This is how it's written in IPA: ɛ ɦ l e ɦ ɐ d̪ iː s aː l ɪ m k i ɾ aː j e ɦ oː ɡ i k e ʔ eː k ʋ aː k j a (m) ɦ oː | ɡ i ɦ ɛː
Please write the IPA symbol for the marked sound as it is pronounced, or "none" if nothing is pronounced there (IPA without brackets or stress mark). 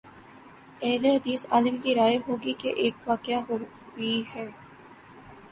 none